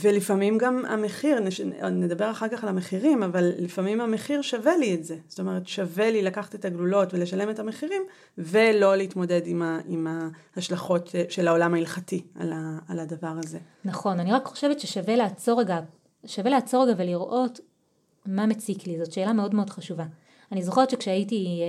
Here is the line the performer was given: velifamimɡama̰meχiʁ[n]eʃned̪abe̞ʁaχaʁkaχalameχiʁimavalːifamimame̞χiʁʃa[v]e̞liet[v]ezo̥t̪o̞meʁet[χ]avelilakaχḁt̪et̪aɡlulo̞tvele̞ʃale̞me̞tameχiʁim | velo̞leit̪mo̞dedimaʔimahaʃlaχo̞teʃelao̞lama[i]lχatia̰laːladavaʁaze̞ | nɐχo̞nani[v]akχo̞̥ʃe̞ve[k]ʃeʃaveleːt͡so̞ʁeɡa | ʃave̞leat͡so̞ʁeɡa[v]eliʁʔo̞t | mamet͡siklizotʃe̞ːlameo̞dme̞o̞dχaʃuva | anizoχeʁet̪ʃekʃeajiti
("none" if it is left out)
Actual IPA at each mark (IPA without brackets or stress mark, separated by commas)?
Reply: n, v, z, ʃ, i, ʁ, t, v